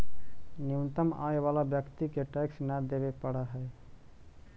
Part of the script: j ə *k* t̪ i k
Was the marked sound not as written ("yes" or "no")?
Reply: no